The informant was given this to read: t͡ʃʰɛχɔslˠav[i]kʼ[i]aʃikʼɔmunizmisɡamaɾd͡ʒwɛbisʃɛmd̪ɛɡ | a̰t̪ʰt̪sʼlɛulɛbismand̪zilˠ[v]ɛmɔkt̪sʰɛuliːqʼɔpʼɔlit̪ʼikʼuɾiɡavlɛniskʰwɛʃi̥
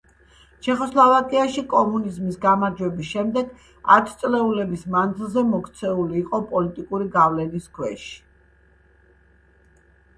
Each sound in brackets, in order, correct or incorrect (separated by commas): incorrect, correct, incorrect